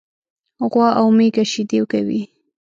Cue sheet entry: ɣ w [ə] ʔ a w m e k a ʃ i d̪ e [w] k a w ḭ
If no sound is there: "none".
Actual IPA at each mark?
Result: ɑ, w

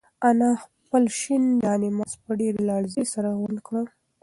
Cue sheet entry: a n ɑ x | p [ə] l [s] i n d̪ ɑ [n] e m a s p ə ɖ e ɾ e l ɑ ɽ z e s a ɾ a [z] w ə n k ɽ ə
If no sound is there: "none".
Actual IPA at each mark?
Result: ə, ʃ, n, ɣ

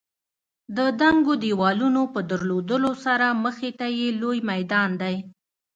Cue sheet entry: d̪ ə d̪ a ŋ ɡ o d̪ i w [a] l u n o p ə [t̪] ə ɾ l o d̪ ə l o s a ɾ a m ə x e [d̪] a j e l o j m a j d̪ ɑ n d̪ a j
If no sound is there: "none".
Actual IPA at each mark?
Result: ɑ, d̪, t̪

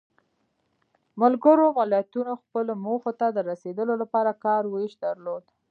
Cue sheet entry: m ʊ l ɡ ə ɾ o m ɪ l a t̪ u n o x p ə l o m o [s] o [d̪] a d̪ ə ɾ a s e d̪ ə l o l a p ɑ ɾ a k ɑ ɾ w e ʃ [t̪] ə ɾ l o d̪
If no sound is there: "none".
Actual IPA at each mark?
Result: x, t̪, d̪

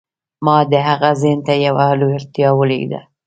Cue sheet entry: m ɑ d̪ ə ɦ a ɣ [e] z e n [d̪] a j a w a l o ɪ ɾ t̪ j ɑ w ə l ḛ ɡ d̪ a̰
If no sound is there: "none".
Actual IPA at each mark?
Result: a, t̪

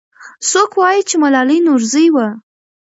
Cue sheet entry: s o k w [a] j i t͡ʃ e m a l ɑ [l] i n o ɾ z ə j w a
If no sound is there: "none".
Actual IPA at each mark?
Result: ɑ, l

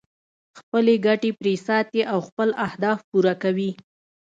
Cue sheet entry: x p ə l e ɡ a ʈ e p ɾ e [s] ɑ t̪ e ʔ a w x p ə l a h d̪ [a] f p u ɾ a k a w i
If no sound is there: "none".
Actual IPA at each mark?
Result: s, ɑ

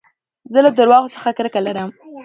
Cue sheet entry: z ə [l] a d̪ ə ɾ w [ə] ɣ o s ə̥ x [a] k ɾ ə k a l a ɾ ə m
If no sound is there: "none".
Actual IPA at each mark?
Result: l, ɑ, a

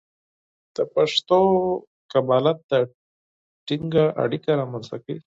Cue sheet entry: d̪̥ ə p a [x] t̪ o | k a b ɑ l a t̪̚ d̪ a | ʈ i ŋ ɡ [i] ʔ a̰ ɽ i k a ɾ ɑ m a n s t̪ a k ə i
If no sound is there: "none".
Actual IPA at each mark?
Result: ʂ, a

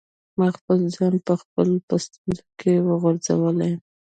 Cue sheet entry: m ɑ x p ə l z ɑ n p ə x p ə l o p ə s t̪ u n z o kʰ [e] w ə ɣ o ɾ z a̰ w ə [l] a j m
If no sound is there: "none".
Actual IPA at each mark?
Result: e, l

